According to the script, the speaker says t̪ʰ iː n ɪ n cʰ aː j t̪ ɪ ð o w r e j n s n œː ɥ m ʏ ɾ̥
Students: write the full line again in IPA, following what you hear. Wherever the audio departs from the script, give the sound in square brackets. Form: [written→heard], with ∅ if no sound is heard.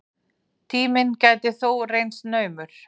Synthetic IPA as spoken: t̪ʰ iː [n→m] ɪ n [cʰ→c] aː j t̪ ɪ [ð→θ] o w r e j n s n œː ɥ m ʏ ɾ̥